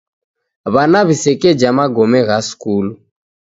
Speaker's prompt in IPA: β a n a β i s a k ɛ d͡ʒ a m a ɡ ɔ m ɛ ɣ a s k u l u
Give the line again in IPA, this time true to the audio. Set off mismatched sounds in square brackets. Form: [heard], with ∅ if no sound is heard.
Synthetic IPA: β a n a β i s [ɛ] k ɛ d͡ʒ a m a ɡ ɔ m ɛ ɣ a s k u l u